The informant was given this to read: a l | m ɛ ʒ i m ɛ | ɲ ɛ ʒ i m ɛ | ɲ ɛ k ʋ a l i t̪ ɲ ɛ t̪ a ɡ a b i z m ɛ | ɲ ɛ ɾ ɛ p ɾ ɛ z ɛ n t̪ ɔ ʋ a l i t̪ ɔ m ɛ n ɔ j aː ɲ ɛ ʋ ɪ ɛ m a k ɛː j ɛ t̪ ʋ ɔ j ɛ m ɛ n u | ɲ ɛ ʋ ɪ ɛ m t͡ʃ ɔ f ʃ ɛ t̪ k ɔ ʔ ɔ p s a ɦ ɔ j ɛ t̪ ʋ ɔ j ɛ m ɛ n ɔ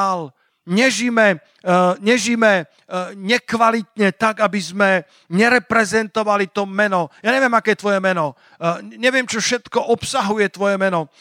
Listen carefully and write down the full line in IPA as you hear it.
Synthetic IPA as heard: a l | ɲ ɛ ʒ i m ɛ | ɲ ɛ ʒ i m ɛ | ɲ ɛ k ʋ a l i t̪ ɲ ɛ t̪ a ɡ a b i z m ɛ | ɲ ɛ ɾ ɛ p ɾ ɛ z ɛ n t̪ ɔ ʋ a l i t̪ ɔ m ɛ n ɔ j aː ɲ ɛ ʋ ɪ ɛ m a k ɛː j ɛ t̪ ʋ ɔ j ɛ m ɛ n ɔ | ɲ ɛ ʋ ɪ ɛ m t͡ʃ ɔ f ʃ ɛ t̪ k ɔ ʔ ɔ p s a ɦ u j ɛ t̪ ʋ ɔ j ɛ m ɛ n ɔ